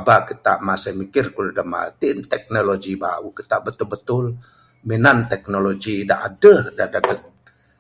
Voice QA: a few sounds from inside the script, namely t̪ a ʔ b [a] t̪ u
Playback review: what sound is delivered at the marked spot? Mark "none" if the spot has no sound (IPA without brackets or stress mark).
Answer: ə